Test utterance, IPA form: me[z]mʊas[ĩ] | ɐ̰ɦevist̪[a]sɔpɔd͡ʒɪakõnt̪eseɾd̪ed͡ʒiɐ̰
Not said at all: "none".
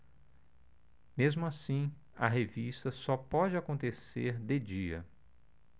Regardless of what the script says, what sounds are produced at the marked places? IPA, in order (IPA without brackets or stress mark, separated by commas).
z, ĩ, ɐ